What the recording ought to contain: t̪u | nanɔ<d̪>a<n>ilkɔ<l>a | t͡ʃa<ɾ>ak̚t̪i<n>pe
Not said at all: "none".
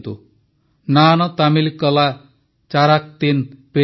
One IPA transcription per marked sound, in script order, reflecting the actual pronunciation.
t̪, m, l, ɾ, n

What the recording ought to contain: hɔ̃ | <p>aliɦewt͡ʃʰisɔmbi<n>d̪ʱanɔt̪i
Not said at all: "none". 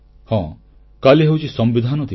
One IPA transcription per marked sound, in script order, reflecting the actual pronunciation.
k, none

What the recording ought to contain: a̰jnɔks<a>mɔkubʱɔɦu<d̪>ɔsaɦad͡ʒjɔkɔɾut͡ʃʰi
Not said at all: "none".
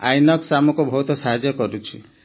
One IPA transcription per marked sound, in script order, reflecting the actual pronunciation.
a, t̪

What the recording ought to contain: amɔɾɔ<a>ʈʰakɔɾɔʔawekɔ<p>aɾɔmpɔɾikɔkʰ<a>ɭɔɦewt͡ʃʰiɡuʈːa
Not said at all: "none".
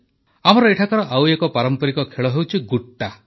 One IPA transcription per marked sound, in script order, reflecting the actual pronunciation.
e, p, e

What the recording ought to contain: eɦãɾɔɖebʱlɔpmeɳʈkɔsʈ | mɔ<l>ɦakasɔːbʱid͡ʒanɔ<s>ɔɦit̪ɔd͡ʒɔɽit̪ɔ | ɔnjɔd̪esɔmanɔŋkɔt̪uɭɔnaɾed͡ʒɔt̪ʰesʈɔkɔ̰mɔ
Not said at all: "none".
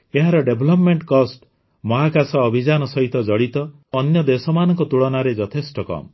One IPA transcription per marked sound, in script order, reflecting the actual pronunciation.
none, s

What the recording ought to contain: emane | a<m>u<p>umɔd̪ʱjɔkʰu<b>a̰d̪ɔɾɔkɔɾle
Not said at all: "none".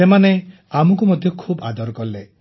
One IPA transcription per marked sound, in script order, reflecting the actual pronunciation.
m, k, b

